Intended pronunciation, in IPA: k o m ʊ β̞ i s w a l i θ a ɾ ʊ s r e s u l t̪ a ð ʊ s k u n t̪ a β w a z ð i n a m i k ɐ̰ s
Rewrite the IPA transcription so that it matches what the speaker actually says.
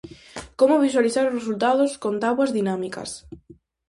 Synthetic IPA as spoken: k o m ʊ β̞ i s w a l i θ a ɾ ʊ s r e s u l t̪ a ð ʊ s k o n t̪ a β w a z ð i n a m i k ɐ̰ s